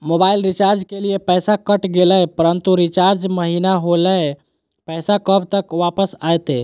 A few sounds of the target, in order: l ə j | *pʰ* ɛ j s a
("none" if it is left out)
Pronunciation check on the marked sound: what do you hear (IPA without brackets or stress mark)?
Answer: p